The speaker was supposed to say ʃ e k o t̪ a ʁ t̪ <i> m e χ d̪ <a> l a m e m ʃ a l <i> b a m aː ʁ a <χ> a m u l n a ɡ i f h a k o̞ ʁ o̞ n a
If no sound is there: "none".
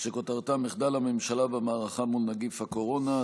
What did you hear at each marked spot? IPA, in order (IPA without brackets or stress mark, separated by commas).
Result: a, a, a, χ